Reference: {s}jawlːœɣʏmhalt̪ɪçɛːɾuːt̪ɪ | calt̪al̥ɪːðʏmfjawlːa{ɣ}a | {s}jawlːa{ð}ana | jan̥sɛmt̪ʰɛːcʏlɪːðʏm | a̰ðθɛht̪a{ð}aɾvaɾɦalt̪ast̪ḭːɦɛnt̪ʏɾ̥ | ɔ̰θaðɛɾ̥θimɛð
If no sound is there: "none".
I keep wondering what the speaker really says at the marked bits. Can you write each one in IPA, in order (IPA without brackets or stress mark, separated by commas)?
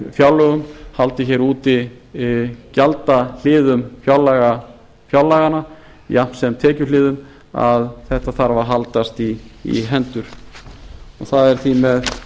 f, ɣ, f, ɣ, θ